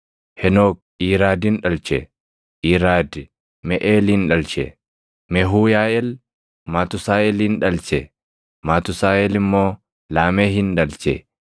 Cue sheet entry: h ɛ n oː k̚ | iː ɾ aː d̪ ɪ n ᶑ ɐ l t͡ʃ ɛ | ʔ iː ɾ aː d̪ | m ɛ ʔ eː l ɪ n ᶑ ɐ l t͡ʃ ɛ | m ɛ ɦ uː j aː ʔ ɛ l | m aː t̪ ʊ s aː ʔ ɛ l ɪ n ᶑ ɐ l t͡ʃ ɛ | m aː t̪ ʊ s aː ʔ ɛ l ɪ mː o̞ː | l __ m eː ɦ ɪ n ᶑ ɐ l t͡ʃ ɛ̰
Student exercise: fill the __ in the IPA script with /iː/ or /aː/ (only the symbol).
aː